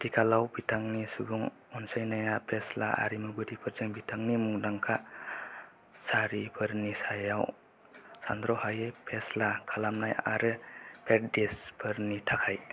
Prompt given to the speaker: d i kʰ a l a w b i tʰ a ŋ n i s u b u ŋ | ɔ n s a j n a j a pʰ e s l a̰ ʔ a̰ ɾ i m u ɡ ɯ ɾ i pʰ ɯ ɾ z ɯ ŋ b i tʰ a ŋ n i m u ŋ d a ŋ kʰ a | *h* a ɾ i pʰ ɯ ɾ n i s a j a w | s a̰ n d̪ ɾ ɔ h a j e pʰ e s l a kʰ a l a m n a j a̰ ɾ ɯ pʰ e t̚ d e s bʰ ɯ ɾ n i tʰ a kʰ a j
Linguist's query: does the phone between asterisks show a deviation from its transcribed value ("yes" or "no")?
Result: yes